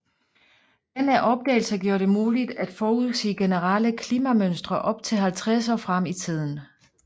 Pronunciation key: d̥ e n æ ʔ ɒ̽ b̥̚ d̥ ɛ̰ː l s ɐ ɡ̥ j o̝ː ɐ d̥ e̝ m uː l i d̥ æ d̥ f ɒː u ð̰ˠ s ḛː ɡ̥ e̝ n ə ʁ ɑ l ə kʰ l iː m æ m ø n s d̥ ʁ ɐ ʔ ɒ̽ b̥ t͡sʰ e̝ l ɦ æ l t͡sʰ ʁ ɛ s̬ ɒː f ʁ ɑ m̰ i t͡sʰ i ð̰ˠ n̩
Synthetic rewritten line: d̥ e n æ ʔ ɒ̽ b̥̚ d̥ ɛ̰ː l s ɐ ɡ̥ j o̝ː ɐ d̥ e̝ m uː l i d̥ æ d̥ f ɒː u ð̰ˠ s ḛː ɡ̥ e̝ n ə ʁ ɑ l ə kʰ l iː m æ m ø n s d̥ ʁ ɐ ʔ ɒ̽ b̥ t͡sʰ e̝ l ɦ æ l t͡sʰ ʁ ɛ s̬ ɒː f ʁ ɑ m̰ i t͡sʰ i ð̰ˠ n̩